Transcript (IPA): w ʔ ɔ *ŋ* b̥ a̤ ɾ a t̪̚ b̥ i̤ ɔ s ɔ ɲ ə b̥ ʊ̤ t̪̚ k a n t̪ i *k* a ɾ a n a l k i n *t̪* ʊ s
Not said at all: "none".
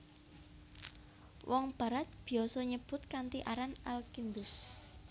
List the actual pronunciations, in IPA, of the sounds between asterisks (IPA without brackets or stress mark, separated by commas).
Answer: ŋ, ʔ, d̪